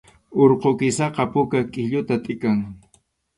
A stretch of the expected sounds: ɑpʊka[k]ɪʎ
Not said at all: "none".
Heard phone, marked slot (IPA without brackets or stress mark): kʼ